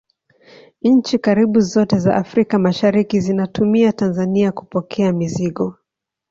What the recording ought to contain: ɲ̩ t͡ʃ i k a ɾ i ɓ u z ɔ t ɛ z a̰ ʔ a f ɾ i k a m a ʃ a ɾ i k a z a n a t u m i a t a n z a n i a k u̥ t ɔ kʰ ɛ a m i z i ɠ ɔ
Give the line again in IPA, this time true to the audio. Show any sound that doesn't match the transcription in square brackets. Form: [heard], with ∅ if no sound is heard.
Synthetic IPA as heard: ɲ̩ t͡ʃ i k a ɾ i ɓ u z ɔ t ɛ z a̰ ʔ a f ɾ i k a m a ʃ a ɾ i k [i] z [i] n a t u m i a t a n z a n i a k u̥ [p] ɔ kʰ ɛ a m i z i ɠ ɔ